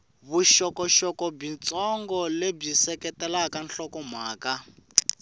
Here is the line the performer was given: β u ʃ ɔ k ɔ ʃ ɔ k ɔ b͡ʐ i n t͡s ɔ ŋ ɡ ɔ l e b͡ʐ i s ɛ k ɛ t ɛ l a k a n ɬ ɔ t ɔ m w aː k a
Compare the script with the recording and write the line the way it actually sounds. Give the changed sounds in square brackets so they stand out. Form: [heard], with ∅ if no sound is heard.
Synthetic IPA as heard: β u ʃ ɔ k ɔ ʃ ɔ k ɔ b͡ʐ i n t͡s ɔ ŋ ɡ ɔ l e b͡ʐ i s ɛ k ɛ t ɛ l a k a n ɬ ɔ [k] ɔ m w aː k a